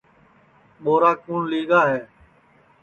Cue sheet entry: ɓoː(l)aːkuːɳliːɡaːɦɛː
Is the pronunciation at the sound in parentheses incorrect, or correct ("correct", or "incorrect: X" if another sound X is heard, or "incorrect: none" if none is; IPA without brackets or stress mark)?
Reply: incorrect: ɾ